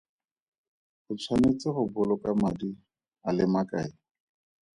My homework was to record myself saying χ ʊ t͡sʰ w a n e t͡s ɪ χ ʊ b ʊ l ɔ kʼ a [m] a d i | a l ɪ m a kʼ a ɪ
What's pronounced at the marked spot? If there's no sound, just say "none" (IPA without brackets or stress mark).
m